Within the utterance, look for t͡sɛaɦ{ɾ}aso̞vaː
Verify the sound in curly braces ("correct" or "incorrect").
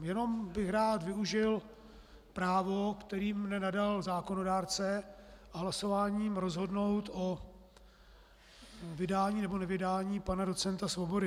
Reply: incorrect